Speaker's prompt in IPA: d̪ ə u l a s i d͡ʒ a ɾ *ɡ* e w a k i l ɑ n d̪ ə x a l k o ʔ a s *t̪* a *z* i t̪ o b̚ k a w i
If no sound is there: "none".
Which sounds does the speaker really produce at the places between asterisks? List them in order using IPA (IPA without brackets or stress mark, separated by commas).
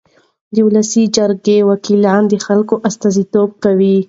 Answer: ɡ, t̪, z